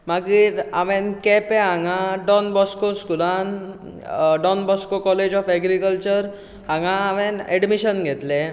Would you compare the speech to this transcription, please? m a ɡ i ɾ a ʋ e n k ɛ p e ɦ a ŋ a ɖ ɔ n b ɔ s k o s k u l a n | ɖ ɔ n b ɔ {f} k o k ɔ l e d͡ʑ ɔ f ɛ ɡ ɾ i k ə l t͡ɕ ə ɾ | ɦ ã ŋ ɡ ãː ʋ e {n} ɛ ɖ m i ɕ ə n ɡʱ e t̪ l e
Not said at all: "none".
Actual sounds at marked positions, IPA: s, n

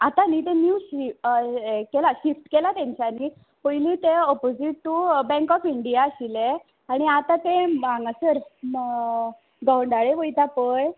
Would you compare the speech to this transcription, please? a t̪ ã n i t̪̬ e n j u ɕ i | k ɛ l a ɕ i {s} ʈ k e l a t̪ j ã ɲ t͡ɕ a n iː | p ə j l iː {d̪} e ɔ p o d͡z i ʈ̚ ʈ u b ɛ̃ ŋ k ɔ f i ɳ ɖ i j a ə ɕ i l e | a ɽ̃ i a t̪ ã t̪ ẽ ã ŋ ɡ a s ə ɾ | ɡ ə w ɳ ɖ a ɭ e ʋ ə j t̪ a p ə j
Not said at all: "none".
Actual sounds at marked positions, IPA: f, t̪

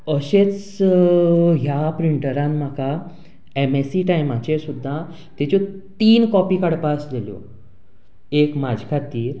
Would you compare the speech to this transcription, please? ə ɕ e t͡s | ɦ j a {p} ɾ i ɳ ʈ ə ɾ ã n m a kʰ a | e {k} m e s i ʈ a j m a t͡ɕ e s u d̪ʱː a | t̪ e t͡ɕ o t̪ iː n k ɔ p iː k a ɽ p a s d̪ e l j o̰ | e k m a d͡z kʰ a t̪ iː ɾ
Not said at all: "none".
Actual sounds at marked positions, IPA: p, none

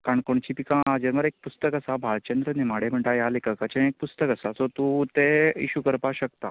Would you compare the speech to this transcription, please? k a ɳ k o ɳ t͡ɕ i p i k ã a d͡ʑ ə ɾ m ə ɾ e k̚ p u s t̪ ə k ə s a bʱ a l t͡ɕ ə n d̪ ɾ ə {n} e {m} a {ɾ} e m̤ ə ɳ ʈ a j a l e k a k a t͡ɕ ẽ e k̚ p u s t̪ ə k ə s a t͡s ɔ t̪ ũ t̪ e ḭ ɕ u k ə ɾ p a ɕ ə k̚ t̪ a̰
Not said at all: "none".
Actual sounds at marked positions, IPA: n, m, ɽ

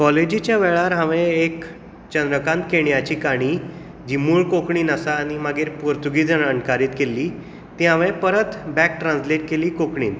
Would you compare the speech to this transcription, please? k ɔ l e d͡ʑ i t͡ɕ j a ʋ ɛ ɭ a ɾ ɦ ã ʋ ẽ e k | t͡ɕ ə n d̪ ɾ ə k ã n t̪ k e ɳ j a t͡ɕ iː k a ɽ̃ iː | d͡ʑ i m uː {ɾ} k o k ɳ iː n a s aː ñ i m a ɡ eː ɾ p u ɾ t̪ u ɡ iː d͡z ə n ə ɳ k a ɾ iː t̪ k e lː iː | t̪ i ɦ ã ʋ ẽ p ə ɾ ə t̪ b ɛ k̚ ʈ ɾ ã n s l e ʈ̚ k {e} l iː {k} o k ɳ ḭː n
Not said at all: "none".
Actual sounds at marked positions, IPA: ɭ, e, k

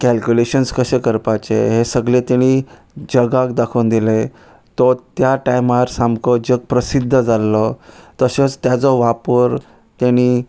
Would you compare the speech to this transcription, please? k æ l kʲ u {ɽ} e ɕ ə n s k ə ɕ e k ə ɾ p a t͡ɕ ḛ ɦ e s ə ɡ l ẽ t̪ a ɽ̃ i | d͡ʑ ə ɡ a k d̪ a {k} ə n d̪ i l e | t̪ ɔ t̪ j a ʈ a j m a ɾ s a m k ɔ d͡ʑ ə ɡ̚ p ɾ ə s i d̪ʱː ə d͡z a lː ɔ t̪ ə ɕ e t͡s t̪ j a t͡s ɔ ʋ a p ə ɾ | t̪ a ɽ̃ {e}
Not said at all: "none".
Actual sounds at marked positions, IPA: l, kʰ, i

